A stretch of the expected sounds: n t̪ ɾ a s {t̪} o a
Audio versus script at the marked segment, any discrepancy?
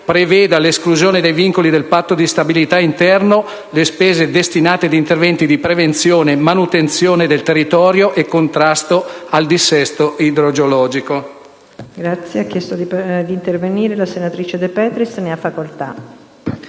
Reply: no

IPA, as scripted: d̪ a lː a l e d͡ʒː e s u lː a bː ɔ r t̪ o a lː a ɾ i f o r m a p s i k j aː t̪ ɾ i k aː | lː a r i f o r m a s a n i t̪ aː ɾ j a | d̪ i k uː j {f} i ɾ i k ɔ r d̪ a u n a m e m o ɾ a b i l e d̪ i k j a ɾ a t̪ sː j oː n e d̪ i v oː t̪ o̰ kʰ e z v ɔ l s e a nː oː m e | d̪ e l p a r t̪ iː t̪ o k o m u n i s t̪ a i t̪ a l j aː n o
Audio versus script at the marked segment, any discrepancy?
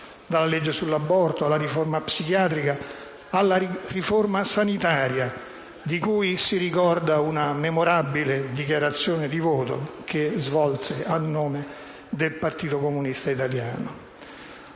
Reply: yes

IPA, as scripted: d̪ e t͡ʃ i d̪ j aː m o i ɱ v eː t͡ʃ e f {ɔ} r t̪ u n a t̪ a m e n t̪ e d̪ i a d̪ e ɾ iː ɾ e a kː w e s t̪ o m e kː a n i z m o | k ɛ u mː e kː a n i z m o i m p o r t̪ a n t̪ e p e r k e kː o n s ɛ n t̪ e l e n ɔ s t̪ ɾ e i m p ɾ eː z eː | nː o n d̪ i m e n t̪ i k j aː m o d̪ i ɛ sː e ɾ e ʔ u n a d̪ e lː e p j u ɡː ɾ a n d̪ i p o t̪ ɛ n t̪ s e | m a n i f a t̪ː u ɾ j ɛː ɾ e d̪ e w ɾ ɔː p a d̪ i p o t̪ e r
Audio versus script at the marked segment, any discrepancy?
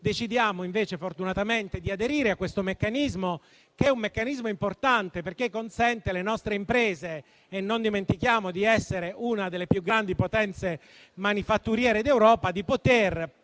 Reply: yes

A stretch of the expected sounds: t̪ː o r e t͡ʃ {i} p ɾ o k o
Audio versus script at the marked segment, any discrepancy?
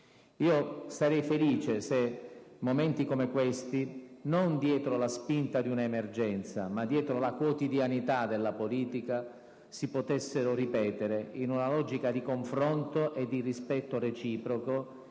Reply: yes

